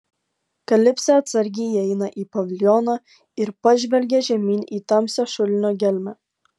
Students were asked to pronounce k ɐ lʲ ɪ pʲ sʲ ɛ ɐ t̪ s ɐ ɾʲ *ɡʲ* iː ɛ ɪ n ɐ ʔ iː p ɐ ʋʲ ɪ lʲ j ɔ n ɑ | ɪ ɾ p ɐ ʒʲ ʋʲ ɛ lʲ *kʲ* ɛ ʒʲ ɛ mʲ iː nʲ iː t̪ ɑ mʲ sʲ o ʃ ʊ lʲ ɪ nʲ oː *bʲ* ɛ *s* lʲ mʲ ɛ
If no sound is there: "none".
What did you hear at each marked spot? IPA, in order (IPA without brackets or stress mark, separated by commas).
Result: ɡʲ, ɡʲ, ɡʲ, none